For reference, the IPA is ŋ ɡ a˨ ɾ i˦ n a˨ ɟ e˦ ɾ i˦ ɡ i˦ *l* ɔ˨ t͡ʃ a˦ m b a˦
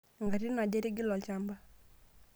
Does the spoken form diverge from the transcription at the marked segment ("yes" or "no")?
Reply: no